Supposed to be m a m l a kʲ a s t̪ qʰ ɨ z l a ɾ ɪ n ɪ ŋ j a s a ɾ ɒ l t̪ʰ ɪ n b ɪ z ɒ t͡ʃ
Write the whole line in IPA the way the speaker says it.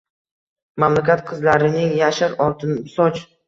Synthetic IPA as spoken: m a m l a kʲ a t̪ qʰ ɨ z l a ɾ ɪ n ɪ ŋ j a ʃ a ɾ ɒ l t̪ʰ ɪ n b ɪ s ɒ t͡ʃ